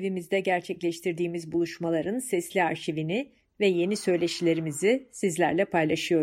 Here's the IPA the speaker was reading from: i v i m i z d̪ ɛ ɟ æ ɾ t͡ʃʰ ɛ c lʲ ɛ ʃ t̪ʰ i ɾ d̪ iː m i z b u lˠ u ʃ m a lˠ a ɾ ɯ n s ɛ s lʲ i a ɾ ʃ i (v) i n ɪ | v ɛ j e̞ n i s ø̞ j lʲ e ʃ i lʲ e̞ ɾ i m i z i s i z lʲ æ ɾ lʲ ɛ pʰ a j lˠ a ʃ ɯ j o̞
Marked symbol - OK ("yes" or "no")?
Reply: yes